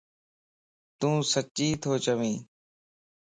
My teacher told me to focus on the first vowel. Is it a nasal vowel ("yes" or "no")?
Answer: yes